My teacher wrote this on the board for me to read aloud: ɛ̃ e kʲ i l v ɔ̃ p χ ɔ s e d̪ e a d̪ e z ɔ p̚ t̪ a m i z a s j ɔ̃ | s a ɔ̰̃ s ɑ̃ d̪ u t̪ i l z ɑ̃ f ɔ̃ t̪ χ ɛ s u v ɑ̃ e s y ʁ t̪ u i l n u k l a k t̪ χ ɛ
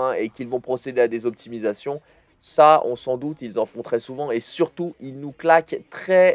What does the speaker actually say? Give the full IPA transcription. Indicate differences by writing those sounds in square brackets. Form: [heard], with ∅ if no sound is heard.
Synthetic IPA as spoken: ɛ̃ e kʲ i l v ɔ̃ p χ ɔ s e d̪ e a d̪ e z ɔ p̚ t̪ [i] m i z a s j ɔ̃ | s a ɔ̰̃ s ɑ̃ d̪ u t̪ i l z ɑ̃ f ɔ̃ t̪ χ ɛ s u v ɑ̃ e s y ʁ t̪ u i l n u k l a k t̪ χ ɛ